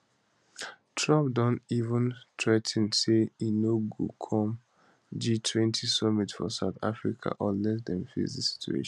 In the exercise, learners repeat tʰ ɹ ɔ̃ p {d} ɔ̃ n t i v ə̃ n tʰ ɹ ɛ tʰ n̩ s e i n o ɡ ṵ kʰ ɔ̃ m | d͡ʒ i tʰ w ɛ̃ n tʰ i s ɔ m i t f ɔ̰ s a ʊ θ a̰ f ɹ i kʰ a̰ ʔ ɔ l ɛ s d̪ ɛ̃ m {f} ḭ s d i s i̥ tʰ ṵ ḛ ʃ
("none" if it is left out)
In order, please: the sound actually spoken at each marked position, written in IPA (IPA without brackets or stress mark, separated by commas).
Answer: d, f